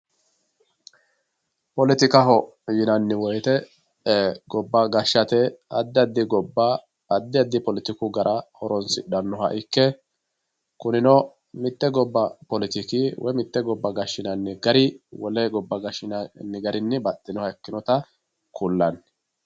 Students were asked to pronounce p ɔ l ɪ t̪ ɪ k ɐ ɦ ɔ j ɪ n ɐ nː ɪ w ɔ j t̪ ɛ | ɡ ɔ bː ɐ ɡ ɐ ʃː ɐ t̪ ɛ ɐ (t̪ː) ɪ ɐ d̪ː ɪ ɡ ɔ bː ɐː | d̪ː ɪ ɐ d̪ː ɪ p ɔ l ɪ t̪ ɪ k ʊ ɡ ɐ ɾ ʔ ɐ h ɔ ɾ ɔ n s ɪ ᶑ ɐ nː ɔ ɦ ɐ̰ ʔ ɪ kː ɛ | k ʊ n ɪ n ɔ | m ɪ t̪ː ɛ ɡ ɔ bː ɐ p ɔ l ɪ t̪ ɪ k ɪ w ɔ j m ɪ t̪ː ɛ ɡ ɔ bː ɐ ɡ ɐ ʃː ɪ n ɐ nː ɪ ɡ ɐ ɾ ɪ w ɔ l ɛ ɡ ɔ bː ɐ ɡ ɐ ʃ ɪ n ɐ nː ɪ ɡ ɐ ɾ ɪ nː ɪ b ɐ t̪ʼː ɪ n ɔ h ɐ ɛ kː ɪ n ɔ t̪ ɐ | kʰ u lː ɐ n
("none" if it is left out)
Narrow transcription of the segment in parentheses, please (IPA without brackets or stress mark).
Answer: d̪ː